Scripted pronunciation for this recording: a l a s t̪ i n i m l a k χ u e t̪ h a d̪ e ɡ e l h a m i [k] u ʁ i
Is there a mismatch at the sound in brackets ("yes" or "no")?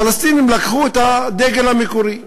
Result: no